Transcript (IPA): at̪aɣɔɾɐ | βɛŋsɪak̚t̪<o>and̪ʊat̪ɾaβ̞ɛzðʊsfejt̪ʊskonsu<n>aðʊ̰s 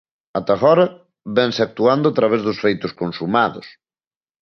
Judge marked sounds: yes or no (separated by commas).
no, no